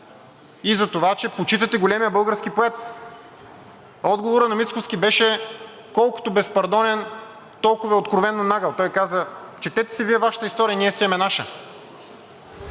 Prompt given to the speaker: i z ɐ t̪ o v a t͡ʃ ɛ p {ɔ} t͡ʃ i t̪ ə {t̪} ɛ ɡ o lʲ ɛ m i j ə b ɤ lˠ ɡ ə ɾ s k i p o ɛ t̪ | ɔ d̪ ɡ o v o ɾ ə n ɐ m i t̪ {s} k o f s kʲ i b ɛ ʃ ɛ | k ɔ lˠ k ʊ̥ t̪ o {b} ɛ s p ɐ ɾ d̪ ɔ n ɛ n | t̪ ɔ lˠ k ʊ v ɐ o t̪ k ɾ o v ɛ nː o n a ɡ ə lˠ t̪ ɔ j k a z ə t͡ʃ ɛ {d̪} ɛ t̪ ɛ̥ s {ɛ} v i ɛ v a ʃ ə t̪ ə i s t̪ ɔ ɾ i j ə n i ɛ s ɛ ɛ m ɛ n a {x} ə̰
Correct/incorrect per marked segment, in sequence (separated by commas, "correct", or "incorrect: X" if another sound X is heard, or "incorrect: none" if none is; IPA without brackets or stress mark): incorrect: o, correct, correct, correct, incorrect: t̪, correct, incorrect: ʃ